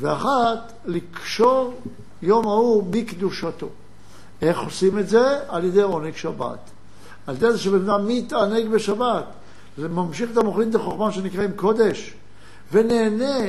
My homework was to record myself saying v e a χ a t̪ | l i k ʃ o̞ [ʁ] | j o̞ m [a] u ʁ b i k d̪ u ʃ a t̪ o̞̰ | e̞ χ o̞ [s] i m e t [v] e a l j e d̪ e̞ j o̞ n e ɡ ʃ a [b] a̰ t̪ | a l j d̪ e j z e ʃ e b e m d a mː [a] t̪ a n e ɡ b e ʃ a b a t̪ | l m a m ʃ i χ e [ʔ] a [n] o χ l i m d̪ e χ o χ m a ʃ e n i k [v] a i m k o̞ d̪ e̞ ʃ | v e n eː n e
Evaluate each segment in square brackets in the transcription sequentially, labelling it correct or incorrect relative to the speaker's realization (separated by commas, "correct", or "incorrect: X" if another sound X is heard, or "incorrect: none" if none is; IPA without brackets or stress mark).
correct, correct, correct, incorrect: z, correct, incorrect: i, incorrect: t, incorrect: m, incorrect: ʁ